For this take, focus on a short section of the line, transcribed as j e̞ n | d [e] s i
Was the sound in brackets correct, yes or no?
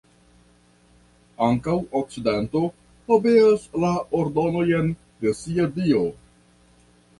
yes